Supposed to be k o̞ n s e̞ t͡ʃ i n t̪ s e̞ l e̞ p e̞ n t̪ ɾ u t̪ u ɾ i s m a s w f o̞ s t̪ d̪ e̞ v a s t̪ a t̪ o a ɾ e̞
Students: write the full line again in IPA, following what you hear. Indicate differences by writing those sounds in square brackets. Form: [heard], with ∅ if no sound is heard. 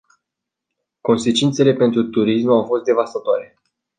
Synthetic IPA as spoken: k o̞ n s e̞ t͡ʃ i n t̪ s e̞ l e̞ p e̞ n t̪ ɾ u t̪ u ɾ i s m a [∅] w f o̞ s t̪ d̪ e̞ v a s t̪ a t̪ o a ɾ e̞